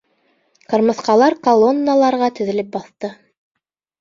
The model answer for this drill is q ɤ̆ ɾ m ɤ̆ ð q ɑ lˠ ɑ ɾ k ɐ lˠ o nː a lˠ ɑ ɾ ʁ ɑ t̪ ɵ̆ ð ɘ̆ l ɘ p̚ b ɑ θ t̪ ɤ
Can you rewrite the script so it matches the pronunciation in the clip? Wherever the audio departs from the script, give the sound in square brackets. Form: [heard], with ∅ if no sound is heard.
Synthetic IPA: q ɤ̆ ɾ m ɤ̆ [θ] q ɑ lˠ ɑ ɾ k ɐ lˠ o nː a lˠ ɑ ɾ ʁ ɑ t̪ ɵ̆ ð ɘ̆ l ɘ p̚ b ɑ θ t̪ ɤ